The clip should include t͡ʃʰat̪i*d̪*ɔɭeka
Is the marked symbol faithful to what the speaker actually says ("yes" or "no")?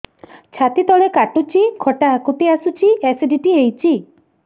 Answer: no